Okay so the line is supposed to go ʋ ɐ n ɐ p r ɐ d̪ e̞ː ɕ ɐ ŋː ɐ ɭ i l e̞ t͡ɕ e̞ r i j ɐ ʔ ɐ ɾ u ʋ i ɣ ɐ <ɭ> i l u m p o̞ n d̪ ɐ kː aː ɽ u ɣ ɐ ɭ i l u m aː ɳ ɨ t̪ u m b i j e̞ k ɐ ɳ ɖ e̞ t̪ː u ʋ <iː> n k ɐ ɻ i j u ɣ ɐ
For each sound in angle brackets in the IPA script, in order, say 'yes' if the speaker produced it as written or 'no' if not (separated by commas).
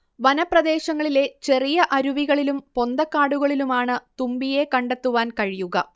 yes, no